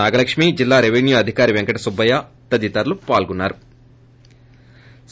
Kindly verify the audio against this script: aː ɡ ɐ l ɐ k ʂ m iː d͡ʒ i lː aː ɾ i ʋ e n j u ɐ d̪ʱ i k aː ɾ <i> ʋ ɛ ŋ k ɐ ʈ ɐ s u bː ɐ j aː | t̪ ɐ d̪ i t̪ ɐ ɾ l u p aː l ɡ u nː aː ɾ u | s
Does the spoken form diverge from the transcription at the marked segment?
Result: no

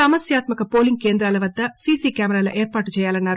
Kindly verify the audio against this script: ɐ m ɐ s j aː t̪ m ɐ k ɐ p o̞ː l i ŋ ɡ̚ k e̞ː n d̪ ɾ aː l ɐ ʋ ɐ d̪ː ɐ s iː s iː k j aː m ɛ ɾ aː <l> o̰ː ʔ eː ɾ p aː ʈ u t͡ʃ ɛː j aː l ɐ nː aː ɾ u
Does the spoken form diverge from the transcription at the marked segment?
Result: no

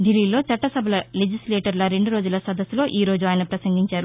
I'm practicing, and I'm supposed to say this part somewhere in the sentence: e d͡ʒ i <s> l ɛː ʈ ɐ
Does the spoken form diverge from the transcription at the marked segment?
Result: no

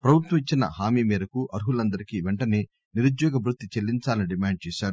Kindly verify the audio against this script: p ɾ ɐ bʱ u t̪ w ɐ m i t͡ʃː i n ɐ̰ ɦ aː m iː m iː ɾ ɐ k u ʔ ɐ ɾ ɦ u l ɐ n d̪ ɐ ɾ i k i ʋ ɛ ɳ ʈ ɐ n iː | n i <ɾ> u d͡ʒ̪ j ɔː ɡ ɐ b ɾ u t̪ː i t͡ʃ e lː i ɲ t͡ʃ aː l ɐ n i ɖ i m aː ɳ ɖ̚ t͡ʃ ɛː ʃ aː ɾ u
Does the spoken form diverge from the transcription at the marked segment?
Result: no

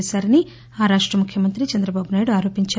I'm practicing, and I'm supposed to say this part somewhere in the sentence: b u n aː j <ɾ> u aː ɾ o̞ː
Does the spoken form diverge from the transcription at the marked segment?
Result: yes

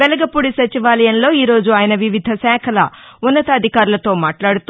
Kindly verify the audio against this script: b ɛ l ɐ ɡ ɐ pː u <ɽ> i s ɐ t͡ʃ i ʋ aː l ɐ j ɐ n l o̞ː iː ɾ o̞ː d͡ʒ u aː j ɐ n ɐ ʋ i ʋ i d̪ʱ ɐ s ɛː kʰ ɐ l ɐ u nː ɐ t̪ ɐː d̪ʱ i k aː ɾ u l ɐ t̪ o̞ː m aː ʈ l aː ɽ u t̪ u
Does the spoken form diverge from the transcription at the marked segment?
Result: no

